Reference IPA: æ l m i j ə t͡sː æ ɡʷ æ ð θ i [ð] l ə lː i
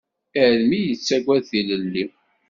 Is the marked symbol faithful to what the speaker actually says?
no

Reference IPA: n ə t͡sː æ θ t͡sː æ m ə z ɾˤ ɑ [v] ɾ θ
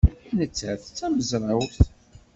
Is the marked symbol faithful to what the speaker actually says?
no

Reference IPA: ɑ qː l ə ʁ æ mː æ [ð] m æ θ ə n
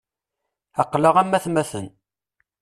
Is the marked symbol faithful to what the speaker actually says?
no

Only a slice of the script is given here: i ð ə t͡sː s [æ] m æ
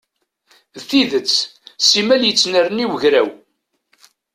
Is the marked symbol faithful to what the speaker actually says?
no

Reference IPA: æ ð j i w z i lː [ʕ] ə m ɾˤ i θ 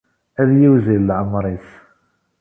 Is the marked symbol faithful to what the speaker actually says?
yes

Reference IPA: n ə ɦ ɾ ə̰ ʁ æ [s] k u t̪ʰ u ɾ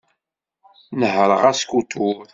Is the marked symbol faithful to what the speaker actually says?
yes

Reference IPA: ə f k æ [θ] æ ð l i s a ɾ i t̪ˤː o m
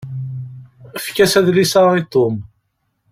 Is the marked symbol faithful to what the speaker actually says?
no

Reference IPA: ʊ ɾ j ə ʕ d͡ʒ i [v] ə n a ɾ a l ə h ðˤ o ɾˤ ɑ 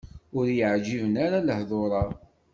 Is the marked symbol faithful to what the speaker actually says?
yes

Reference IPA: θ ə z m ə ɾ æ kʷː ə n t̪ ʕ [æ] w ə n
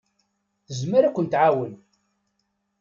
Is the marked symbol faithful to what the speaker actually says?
no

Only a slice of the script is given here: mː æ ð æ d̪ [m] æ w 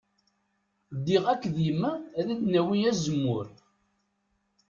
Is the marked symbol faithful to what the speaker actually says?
no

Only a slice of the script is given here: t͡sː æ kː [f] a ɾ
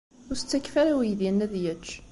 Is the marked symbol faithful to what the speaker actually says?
yes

